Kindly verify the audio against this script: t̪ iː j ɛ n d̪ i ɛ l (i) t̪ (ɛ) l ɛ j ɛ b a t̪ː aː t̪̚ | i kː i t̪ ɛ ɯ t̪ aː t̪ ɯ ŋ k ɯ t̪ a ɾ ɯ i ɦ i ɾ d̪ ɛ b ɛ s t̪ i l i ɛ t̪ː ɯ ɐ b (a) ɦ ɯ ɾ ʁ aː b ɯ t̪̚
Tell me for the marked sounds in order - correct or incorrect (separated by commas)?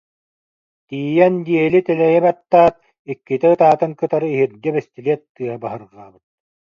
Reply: correct, correct, correct